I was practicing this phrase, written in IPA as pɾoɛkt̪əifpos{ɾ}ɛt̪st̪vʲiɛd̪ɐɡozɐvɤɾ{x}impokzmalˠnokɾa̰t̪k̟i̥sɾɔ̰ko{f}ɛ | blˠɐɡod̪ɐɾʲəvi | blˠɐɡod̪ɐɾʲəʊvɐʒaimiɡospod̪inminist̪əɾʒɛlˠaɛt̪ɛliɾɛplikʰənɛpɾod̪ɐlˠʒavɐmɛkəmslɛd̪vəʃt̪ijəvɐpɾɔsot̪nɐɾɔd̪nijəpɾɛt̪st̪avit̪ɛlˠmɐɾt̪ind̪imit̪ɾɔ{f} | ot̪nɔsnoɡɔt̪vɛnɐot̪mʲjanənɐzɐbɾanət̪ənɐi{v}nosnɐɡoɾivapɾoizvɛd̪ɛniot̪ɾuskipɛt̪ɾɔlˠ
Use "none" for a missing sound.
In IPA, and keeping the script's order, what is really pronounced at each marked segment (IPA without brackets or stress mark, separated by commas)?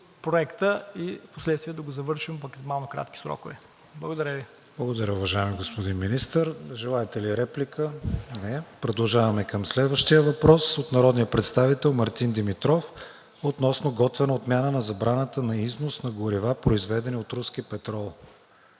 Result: l, ʃ, v, f, z